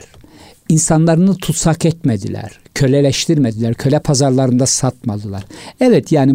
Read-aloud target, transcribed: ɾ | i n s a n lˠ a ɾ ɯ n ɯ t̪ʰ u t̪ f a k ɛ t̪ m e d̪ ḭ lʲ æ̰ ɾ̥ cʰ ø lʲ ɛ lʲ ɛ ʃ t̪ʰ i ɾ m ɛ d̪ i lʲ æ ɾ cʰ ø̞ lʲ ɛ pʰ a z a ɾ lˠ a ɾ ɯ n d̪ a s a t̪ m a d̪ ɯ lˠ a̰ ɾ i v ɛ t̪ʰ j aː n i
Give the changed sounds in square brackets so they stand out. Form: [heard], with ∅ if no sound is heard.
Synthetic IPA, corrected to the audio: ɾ | i n s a n lˠ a ɾ ɯ n ɯ t̪ʰ u t̪ [s] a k ɛ t̪ m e d̪ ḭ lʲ æ̰ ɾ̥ cʰ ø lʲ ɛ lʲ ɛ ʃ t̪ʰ i ɾ m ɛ d̪ i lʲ æ ɾ cʰ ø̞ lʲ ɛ pʰ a z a ɾ lˠ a ɾ ɯ n d̪ a s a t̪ m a d̪ ɯ lˠ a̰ ɾ [ɛ] v ɛ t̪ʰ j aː n i